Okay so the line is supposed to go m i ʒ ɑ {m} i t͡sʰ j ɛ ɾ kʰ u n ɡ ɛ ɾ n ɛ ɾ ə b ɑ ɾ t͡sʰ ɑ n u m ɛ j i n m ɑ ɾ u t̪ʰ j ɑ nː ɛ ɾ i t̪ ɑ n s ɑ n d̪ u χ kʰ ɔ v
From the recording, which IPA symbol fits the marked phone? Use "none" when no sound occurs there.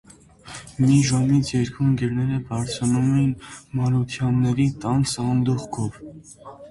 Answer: m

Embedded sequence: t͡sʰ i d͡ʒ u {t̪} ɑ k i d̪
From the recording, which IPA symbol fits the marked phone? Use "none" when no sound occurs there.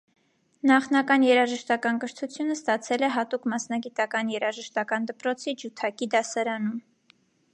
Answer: t̪ʰ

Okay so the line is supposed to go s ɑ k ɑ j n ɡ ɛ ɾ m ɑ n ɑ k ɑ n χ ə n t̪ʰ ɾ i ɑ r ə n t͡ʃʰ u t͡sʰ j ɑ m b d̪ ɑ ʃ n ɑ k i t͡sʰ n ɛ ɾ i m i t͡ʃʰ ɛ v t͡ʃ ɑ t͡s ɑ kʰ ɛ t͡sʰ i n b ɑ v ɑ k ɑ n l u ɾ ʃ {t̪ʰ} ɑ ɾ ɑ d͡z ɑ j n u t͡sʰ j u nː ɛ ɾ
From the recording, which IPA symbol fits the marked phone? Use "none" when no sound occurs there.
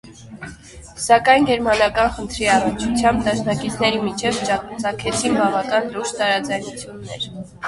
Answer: t̪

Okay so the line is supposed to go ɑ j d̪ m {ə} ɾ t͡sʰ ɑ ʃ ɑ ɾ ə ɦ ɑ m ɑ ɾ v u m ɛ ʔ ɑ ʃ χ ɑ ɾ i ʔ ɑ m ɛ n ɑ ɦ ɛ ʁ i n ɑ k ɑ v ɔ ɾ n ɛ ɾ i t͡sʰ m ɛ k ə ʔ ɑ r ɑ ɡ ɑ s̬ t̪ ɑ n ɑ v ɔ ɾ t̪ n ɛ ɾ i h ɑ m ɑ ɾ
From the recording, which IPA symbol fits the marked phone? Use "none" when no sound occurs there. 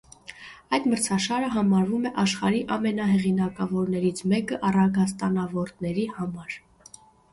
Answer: ə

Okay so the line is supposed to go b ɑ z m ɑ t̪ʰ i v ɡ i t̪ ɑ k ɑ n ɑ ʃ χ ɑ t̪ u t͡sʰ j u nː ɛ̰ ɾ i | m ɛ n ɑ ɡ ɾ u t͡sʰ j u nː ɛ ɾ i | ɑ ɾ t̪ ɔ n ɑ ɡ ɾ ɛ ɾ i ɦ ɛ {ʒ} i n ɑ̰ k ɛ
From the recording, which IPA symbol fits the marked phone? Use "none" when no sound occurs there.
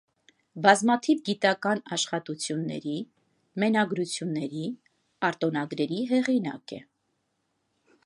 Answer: ʁ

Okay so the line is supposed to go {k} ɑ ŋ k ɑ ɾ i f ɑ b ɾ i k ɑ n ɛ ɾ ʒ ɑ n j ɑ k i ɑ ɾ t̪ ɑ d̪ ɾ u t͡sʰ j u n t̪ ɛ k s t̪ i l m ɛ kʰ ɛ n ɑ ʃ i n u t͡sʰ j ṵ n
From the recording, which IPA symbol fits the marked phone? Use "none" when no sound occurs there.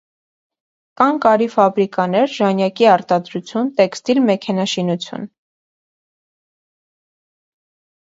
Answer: k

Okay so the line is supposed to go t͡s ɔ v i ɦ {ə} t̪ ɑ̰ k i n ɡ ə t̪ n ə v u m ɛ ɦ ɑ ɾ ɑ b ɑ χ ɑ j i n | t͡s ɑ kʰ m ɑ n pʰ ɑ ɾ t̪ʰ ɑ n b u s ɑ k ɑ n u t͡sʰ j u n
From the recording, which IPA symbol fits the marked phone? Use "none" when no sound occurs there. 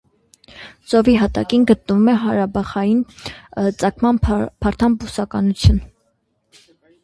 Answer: ɑ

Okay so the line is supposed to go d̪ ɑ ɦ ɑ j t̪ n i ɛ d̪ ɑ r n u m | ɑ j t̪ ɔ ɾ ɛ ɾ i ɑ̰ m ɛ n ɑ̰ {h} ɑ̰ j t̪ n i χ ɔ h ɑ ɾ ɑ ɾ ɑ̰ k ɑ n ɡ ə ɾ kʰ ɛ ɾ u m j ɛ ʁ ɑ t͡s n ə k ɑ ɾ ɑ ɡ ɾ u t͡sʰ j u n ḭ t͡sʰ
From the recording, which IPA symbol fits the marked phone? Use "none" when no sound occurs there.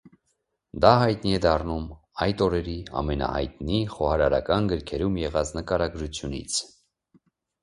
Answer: h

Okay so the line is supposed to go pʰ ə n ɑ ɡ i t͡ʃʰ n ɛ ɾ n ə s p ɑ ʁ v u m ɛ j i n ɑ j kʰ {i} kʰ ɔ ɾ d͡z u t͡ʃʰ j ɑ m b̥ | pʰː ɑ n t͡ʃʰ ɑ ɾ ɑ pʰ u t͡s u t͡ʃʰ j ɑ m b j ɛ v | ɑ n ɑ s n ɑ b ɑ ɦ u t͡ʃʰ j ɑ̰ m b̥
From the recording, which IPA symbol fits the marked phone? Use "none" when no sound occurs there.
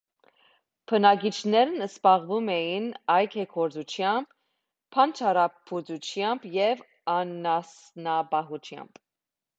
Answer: ɛ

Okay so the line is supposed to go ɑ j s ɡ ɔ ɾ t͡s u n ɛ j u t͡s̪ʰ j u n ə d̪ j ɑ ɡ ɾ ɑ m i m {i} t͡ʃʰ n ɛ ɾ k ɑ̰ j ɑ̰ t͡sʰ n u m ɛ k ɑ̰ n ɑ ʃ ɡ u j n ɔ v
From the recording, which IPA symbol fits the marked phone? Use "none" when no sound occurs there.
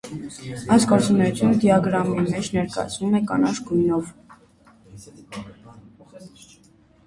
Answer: ɛ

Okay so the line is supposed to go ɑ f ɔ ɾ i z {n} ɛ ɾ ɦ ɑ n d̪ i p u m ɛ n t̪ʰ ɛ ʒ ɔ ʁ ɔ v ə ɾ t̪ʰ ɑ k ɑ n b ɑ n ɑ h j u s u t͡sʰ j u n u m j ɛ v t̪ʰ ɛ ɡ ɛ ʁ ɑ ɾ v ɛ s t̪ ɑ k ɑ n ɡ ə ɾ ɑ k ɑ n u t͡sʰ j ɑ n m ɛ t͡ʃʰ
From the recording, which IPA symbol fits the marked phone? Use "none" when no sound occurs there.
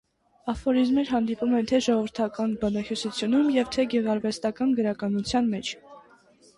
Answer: m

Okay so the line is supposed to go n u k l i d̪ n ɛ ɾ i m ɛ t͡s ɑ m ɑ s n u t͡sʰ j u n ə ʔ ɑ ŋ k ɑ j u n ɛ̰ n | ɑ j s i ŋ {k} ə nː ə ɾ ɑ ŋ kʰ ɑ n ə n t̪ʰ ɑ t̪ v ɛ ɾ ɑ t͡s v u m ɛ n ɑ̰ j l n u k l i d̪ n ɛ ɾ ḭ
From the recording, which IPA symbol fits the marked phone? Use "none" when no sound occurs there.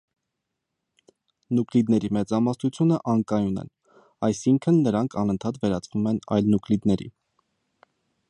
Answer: kʰ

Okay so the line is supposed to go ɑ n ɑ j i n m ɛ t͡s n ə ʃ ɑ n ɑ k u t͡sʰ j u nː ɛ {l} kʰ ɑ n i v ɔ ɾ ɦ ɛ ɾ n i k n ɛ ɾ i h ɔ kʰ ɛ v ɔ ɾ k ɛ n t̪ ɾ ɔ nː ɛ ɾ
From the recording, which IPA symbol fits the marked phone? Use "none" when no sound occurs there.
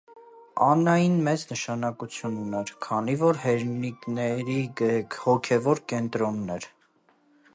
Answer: ɾ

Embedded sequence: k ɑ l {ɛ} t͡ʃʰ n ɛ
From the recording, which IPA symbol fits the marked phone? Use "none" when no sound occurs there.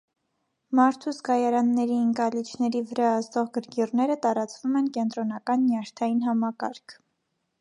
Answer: i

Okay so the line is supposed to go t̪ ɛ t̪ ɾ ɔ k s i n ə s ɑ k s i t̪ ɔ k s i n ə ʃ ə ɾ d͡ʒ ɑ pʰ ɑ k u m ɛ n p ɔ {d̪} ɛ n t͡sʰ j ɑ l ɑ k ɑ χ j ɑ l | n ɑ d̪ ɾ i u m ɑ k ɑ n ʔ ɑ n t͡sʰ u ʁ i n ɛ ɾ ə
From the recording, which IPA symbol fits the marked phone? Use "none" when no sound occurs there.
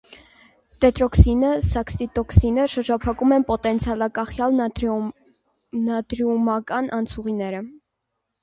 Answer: t̪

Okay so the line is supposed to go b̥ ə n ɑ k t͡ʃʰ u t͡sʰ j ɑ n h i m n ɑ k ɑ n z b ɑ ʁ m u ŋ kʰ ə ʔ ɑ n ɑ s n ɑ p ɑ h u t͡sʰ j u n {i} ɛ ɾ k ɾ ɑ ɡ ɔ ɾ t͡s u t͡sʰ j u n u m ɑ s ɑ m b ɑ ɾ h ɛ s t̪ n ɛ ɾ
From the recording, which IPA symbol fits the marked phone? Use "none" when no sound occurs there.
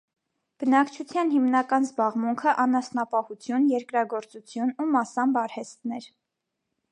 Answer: j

